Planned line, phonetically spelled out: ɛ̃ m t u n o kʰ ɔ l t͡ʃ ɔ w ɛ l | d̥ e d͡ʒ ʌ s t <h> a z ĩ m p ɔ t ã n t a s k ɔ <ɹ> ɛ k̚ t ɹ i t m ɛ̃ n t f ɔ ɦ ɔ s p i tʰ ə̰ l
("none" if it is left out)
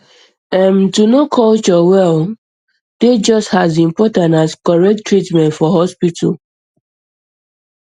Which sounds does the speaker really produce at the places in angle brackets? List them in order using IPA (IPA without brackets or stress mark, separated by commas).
h, ɹ